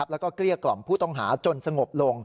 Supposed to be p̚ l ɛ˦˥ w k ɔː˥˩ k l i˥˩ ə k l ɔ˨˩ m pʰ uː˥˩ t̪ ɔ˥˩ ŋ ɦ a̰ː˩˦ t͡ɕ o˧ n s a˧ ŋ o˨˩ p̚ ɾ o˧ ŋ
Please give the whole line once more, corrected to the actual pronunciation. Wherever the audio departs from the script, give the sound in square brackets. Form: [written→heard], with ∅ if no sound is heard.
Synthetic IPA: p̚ l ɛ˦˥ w k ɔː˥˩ k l i˥˩ ə k l ɔ˨˩ m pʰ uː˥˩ t̪ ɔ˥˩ ŋ ɦ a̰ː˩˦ t͡ɕ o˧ n s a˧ ŋ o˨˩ p̚ [ɾ→l] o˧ ŋ